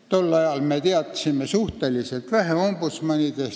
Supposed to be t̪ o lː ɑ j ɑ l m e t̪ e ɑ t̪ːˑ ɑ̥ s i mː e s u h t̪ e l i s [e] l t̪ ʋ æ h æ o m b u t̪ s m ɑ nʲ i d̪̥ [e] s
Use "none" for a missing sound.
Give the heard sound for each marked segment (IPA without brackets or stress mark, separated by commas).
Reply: e, e